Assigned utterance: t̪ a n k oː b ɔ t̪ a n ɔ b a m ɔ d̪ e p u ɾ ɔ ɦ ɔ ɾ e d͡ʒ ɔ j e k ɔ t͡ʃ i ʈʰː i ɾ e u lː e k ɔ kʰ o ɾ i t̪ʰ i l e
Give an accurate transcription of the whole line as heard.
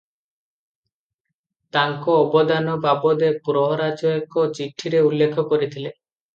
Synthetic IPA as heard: t̪ a ŋ k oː b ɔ d̪ a n ɔ b a b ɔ d̪ e p u ɾ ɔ ɦ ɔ ɾ a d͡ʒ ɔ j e k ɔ t͡ʃ i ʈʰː i ɾ e u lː e kʰ ɔ k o ɾ i t̪ʰ i l e

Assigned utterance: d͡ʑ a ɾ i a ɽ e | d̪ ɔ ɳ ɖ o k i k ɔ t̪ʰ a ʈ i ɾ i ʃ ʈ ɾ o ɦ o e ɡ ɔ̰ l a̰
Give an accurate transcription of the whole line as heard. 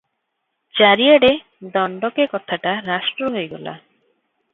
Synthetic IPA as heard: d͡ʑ a ɾ i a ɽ e | d̪ ɔ ɳ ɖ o k e k ɔ t̪ʰ a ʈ a ɾ a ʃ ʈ ɾ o ɦ o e ɡ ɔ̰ l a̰

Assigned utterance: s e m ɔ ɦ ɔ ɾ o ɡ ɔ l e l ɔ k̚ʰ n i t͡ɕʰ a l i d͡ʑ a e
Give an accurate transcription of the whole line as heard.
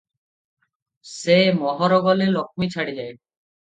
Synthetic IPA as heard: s e m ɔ ɦ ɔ ɾ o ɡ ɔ l e l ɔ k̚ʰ m i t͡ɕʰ a ɽ i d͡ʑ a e

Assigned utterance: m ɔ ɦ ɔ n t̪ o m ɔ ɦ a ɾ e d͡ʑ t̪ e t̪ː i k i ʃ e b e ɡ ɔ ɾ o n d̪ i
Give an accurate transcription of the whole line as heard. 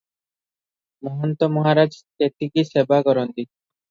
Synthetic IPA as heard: m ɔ ɦ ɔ n t̪ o m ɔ ɦ a ɾ a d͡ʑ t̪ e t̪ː i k i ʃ e b a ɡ ɔ ɾ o n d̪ i

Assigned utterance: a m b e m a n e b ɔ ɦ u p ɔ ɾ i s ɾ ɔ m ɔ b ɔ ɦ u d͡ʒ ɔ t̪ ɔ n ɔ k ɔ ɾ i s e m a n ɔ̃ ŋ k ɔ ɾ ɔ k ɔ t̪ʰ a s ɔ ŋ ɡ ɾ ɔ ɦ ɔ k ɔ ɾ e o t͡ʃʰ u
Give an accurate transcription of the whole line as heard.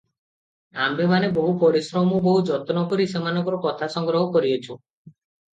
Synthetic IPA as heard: a m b e m a n e b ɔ ɦ u p ɔ ɾ i s ɾ ɔ m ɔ b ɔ ɦ u d͡ʒ ɔ t̪ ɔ n ɔ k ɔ ɾ i s e m a n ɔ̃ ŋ k ɔ ɾ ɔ k ɔ t̪ʰ a s ɔ ŋ ɡ ɾ ɔ ɦ ɔ k ɔ ɾ i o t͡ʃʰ u

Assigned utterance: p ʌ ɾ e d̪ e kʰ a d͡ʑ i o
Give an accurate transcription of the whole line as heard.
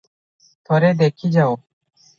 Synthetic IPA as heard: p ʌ ɾ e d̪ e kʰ i d͡ʑ a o

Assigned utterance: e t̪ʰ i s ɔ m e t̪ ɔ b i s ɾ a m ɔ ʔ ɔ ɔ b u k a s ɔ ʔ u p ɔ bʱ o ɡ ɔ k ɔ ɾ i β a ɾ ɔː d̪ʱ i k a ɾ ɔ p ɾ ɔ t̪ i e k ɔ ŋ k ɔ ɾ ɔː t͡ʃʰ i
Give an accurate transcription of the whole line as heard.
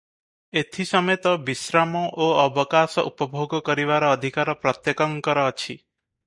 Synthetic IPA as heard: e t̪ʰ i s ɔ m e t̪ ɔ b i s ɾ a m ɔ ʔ o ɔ b ɔ k a s ɔ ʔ u p ɔ bʱ o ɡ ɔ k ɔ ɾ i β a ɾ ɔː d̪ʱ i k a ɾ ɔ p ɾ ɔ t̪ j e k ɔ ŋ k ɔ ɾ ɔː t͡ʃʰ i

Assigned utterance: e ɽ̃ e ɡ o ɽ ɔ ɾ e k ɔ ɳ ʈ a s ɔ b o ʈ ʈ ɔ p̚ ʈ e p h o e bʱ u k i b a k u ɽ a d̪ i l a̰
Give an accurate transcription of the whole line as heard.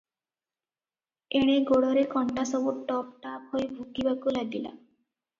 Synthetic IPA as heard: e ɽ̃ e ɡ o ɽ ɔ ɾ e k ɔ ɳ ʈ a s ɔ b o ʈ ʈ ɔ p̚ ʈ a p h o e bʱ u k i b a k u l a d̪ i l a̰

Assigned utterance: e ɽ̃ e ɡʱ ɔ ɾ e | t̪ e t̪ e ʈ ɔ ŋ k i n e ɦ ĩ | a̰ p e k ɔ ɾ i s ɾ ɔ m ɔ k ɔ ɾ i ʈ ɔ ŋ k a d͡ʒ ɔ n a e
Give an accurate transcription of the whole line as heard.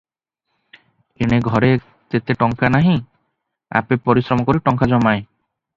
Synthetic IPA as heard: e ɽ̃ e ɡʱ ɔ ɾ e | t̪ e t̪ e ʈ ɔ ŋ k a n a ɦ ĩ | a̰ p e p ɔ ɾ i s ɾ ɔ m ɔ k ɔ ɾ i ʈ ɔ ŋ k a d͡ʒ ɔ m a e

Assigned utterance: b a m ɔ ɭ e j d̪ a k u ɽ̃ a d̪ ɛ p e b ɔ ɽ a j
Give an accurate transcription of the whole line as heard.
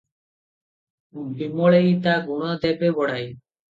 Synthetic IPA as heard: b i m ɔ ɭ e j t̪ a ɡ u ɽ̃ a d̪ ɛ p e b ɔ ɽ a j

